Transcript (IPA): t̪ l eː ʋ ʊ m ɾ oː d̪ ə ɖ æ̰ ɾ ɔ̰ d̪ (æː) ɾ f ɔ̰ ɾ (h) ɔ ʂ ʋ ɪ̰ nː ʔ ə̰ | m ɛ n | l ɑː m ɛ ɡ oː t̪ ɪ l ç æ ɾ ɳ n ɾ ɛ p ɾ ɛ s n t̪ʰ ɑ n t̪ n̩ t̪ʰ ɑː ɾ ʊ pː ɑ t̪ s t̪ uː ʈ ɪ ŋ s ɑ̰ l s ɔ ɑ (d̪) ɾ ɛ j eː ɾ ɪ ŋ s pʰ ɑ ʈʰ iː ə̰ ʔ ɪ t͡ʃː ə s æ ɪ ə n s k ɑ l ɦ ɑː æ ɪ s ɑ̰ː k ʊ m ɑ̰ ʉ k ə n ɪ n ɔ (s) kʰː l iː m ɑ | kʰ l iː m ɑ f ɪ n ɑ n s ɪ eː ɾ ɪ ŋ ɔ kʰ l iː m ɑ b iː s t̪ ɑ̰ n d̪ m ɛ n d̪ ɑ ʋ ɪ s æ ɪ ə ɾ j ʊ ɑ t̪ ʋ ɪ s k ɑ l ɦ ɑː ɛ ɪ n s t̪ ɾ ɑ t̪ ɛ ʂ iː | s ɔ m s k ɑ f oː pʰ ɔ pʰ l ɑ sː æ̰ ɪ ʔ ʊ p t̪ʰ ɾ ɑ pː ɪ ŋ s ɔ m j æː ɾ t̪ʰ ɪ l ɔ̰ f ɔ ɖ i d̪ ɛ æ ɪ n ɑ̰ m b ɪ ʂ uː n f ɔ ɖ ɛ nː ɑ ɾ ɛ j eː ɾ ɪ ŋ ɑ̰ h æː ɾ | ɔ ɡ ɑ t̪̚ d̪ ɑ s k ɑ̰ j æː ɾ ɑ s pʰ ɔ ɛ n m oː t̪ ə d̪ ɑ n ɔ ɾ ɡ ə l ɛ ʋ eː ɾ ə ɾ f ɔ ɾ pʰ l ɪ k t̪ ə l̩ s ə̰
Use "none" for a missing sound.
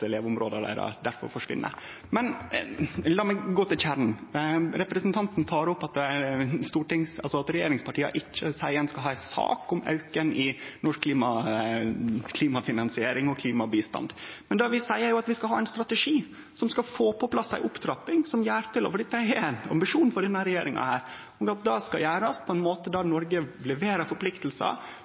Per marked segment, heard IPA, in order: æ, f, t̪, ʂ

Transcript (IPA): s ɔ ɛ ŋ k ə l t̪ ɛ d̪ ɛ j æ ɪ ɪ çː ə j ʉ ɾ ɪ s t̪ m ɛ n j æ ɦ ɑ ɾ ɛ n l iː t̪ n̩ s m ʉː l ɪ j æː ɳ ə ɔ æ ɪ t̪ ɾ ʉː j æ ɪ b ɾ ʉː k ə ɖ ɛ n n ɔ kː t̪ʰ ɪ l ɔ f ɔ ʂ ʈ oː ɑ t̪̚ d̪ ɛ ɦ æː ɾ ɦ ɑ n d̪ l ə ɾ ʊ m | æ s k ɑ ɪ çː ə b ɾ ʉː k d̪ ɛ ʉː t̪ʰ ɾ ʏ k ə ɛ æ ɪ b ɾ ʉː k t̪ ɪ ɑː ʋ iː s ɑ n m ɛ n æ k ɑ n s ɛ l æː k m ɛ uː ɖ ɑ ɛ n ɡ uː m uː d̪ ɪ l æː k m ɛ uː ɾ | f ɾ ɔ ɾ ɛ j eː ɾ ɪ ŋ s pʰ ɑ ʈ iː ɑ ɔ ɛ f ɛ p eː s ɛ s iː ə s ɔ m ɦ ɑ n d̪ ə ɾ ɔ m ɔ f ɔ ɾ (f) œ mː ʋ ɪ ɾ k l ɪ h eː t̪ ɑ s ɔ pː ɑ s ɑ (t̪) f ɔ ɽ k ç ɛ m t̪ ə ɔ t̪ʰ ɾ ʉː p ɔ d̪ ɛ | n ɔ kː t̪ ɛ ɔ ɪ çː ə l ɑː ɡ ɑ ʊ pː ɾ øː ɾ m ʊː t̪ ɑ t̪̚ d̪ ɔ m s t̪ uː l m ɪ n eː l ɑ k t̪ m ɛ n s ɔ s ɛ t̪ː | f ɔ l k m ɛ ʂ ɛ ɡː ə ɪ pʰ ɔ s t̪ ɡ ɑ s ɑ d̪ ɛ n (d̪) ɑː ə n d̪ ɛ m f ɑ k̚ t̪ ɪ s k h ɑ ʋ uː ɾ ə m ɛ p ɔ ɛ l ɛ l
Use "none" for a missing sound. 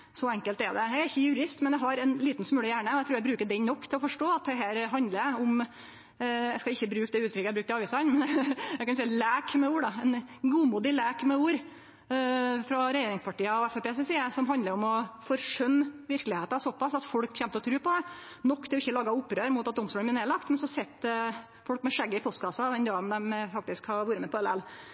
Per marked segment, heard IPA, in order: ʂ, t̪, d̪

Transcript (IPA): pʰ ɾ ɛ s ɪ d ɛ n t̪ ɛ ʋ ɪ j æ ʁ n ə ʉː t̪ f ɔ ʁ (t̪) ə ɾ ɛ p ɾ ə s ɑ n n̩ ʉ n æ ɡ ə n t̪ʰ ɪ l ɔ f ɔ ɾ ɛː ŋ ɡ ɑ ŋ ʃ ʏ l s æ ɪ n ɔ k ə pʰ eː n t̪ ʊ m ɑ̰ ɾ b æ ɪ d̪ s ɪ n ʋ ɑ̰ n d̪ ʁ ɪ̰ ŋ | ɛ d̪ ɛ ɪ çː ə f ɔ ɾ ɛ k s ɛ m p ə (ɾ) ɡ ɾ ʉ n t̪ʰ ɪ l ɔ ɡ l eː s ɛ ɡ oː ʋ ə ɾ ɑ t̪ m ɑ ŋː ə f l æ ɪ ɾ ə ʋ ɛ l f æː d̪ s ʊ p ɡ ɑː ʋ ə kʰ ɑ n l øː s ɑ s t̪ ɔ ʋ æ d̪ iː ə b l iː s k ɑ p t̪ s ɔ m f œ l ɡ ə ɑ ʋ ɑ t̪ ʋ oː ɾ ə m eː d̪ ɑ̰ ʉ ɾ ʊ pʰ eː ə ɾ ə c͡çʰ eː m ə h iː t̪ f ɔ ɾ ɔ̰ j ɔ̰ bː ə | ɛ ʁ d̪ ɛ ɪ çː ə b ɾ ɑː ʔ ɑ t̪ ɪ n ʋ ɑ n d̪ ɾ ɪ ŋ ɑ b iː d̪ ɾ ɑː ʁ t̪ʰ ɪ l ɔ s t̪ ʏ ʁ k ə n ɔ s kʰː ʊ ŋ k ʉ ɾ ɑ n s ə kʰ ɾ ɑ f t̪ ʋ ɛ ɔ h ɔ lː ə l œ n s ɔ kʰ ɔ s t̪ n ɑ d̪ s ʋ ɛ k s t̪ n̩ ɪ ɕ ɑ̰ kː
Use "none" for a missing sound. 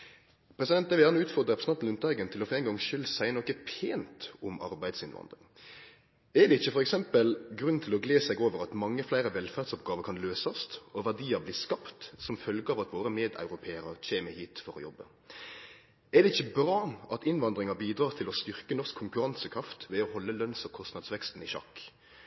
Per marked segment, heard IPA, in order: d̪, l

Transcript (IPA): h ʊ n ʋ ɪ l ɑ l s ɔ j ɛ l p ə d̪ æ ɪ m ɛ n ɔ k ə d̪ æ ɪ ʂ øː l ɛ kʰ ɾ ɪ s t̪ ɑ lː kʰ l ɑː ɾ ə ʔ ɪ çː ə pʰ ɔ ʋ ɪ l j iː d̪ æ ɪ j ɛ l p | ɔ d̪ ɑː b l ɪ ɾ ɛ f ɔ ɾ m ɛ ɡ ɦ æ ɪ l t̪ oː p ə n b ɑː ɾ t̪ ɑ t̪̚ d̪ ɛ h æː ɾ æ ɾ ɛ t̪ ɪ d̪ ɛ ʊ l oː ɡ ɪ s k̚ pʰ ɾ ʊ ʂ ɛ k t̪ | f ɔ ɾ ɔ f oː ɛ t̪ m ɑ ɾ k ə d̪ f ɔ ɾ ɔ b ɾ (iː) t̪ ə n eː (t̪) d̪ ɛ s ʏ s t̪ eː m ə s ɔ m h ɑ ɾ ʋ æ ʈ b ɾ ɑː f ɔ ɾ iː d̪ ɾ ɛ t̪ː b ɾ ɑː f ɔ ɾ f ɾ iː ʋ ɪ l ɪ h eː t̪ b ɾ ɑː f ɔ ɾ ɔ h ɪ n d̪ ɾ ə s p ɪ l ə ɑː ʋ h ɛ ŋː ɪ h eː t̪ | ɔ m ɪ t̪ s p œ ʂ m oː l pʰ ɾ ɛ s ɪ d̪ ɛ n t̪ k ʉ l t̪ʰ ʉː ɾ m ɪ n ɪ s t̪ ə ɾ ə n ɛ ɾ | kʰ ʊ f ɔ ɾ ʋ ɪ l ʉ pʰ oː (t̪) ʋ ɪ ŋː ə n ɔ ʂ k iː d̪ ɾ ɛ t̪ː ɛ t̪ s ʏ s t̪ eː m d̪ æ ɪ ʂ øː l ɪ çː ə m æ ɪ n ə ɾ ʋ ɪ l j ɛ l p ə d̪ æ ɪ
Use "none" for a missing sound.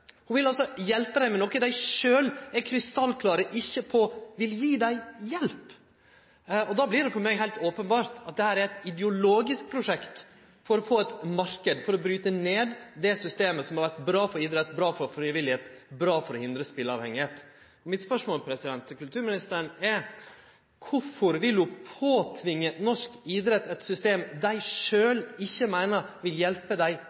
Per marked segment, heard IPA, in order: yː, d̪, t̪ʰ

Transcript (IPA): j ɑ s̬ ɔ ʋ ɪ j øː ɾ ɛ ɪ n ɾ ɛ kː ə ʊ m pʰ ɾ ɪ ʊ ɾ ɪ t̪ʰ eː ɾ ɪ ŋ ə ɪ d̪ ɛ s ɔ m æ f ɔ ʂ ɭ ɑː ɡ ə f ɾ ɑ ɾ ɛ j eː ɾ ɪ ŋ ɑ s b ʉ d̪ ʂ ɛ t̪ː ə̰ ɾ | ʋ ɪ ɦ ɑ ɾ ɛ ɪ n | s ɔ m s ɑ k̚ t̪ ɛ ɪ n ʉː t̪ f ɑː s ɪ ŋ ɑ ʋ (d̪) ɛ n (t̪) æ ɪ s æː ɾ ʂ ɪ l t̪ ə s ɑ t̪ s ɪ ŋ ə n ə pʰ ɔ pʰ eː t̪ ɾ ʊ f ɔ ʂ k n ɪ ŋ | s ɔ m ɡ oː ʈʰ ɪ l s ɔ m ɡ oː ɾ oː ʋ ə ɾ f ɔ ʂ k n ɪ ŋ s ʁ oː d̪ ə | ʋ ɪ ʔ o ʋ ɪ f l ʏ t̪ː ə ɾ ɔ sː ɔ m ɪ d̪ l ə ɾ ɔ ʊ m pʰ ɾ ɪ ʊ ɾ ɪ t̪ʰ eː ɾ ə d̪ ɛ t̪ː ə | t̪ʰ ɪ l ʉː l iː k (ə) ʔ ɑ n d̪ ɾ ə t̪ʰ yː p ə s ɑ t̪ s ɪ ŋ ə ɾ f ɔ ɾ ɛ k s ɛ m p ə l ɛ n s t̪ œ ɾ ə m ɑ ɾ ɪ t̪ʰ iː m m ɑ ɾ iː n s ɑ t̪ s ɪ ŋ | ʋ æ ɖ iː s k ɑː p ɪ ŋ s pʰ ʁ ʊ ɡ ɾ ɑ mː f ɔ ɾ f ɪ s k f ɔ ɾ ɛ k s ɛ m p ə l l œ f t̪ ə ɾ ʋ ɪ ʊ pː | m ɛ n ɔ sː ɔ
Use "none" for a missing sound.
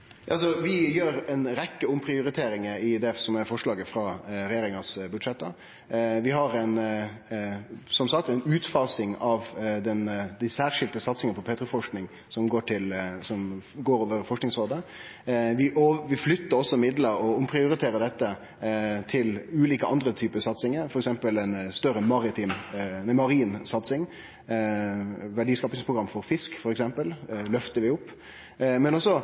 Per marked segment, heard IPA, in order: d̪, d̪, ə

